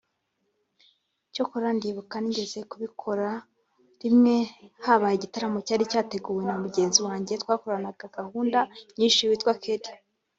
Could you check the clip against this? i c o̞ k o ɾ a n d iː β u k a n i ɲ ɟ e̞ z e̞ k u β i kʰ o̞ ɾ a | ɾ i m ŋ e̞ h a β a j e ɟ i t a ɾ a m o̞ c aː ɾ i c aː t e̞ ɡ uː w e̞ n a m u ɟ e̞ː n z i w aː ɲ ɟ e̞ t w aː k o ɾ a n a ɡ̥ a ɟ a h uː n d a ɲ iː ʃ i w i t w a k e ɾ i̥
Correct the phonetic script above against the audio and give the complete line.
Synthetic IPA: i c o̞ k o ɾ a n d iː β u k a n i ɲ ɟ e̞ z e̞ k u β i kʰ o̞ ɾ a | ɾ i m ŋ e̞ h a β a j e ɟ i t a ɾ a m o̞ c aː ɾ i c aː t e̞ ɡ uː w e̞ n a m u ɟ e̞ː n z i w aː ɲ ɟ e̞ t w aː k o ɾ a n a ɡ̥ a ɡ a h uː n d a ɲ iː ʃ i w i t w a k e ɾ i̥